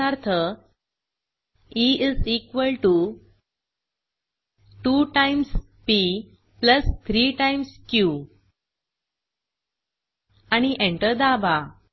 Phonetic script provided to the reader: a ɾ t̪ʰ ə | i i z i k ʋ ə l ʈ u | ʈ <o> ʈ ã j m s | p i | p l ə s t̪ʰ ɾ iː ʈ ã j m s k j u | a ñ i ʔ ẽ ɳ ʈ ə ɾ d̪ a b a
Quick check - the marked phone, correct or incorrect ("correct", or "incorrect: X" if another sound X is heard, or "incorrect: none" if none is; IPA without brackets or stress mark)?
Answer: incorrect: u